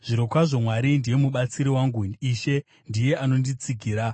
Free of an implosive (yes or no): no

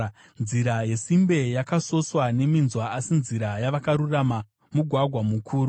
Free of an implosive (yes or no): yes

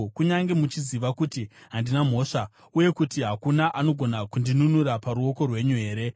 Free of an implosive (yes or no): yes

